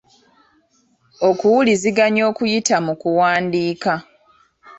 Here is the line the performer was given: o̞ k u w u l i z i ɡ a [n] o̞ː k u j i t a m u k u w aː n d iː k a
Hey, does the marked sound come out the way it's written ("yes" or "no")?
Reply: no